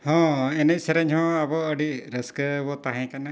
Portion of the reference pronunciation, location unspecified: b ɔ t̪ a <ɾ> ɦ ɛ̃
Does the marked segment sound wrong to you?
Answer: yes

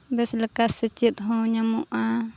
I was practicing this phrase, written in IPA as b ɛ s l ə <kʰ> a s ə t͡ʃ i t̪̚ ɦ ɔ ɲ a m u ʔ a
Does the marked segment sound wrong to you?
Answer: yes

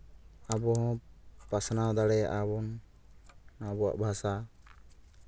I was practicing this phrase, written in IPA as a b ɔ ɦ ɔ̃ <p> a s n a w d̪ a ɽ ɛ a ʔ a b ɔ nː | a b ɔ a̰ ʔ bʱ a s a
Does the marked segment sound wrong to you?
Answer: no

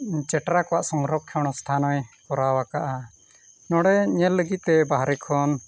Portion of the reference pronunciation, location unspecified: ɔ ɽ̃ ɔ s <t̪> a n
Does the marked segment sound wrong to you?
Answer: yes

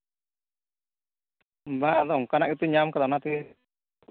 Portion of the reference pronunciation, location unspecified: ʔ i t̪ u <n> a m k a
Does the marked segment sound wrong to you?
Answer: yes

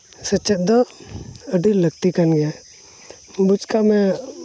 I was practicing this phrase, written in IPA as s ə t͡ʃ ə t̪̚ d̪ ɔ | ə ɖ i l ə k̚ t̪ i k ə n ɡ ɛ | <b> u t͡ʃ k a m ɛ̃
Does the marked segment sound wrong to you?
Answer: no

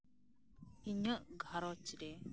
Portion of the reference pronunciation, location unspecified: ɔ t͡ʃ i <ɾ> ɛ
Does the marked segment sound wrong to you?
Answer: no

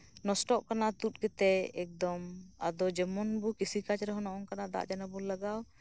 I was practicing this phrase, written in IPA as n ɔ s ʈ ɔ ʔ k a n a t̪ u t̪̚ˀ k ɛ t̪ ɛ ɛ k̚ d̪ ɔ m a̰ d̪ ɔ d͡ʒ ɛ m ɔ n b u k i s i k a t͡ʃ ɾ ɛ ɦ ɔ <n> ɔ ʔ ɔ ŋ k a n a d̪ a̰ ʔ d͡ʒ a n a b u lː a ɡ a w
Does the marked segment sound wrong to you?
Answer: no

